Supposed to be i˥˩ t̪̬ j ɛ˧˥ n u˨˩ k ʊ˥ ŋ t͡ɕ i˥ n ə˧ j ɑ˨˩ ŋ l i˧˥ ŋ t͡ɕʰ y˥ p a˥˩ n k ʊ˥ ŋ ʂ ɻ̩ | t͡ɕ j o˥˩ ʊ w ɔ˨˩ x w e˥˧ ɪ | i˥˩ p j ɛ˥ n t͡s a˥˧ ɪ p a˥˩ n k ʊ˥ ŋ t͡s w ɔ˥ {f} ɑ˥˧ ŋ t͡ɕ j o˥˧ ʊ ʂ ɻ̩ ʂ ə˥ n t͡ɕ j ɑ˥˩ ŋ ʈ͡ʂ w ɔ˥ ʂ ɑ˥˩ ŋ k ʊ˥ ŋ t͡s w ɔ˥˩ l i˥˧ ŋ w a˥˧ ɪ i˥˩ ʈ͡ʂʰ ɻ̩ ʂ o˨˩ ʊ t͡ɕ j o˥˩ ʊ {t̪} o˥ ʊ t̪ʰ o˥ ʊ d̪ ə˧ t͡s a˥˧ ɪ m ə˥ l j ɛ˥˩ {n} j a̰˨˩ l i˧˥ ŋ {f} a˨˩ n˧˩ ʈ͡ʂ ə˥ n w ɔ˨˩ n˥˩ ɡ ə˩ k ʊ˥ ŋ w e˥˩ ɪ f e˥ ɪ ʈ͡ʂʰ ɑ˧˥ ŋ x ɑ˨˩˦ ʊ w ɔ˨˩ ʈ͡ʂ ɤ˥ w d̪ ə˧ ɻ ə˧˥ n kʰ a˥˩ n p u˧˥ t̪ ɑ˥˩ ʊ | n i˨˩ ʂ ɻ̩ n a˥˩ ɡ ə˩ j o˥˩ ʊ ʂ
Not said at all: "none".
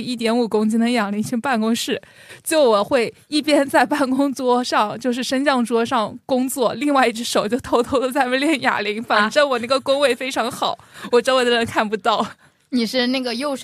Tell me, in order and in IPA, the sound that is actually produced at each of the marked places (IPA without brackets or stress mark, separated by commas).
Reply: ʂ, t̪ʰ, n, f